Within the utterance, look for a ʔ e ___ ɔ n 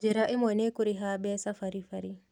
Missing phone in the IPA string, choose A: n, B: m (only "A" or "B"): B